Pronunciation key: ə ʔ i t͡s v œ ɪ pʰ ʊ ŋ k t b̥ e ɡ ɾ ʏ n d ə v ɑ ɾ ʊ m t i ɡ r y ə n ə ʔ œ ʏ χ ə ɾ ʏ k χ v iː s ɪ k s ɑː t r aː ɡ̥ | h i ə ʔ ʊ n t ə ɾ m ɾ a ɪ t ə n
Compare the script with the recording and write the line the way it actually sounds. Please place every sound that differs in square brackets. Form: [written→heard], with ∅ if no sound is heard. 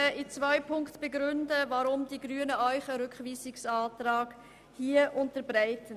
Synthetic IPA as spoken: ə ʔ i t͡s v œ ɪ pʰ ʊ ŋ k t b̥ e ɡ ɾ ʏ n d ə v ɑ ɾ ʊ m [t→d] i ɡ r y ə n ə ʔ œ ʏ χ ə ɾ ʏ k χ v iː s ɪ k s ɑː t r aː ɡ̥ | h i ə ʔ ʊ n t ə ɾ [m→b] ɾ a ɪ t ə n